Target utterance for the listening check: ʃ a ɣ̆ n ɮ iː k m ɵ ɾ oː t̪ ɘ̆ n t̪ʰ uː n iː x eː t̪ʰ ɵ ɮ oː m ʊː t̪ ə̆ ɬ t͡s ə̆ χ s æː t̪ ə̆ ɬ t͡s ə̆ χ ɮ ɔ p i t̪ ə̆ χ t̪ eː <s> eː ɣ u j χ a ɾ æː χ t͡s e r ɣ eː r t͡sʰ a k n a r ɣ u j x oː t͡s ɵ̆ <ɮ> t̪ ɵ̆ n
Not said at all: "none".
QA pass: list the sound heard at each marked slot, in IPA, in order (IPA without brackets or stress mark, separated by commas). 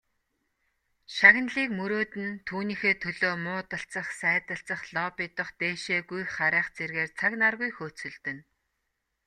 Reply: ʃ, ɮ